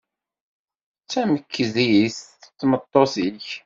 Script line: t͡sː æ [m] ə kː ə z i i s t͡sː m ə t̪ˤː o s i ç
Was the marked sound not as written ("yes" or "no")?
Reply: no